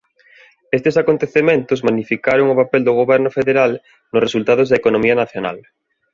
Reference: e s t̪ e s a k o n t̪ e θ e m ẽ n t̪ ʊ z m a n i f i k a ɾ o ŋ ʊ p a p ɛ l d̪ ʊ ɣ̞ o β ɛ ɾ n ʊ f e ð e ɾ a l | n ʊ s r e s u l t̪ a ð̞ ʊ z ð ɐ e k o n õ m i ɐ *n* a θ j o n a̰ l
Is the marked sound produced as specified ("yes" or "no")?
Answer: yes